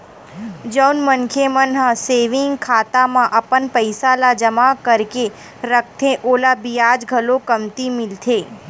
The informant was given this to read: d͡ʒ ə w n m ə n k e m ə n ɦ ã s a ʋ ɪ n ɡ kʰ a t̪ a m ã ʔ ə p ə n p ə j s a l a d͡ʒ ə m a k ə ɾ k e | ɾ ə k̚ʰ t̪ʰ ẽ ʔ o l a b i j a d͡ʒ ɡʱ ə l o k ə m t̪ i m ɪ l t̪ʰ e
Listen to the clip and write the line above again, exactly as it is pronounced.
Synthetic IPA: d͡ʒ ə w n m ə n kʰ e m ə n ɦ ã s e ʋ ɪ ŋ ɡ kʰ a t̪ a m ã ʔ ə p ə n p ə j s a l a d͡ʒ ə m a k ə ɾ k e | ɾ ə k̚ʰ t̪ʰ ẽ ʔ o l a b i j a d͡ʒ ɡʱ ə l o k ə m t̪ i m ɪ l t̪ʰ e